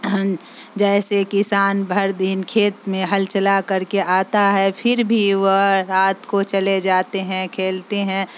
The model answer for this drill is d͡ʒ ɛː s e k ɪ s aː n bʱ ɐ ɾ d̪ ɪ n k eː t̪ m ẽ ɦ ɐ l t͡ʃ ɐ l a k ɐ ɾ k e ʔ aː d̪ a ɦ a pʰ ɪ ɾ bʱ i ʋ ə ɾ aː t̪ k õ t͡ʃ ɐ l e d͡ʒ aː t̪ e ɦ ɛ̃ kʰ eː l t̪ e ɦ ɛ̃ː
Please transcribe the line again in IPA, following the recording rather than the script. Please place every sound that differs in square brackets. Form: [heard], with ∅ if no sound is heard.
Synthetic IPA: d͡ʒ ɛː s e k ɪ s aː n bʱ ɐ ɾ d̪ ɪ n [kʰ] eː t̪ m ẽ ɦ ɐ l t͡ʃ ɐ l a k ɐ ɾ k e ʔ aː [t̪] a ɦ [ɛ] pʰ ɪ ɾ bʱ i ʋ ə ɾ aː t̪ k [o] t͡ʃ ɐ l e d͡ʒ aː t̪ e ɦ ɛ̃ kʰ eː l t̪ e ɦ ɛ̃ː